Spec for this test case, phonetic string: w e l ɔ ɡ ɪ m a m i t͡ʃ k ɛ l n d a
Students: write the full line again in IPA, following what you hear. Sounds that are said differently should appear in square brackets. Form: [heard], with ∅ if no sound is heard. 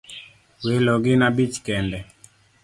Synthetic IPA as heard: w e l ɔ ɡ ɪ [n] a [b] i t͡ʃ k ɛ [∅] n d [ɛ]